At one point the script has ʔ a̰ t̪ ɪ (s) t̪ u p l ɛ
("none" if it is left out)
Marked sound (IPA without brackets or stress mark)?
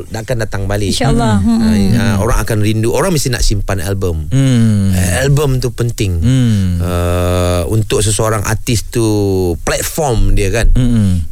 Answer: s